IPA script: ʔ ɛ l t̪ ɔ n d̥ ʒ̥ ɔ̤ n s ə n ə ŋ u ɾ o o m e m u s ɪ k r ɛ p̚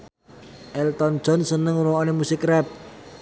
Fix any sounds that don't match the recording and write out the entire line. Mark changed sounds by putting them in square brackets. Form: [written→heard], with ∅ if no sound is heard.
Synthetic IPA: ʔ ɛ l t̪ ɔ n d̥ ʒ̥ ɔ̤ n s ə n ə ŋ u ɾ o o [m→n] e m u s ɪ k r ɛ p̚